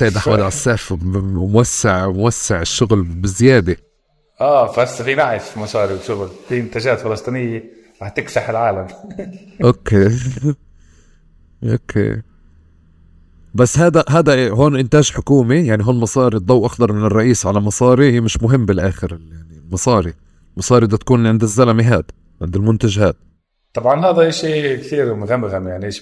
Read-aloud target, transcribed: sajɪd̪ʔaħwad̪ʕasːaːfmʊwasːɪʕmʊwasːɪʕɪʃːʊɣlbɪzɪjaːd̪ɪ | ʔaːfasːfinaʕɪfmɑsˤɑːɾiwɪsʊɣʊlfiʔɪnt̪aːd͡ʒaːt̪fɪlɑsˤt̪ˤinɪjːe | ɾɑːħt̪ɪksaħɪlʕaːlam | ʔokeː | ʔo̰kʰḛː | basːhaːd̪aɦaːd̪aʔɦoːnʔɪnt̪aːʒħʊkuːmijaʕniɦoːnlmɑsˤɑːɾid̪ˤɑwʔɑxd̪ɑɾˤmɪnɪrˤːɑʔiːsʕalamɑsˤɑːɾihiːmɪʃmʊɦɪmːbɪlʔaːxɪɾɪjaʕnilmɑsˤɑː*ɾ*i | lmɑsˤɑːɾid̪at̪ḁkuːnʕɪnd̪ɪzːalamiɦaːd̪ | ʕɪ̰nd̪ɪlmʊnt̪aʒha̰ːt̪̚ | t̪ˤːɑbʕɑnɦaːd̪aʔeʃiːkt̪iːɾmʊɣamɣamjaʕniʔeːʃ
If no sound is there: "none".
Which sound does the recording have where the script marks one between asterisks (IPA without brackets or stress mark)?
ɾ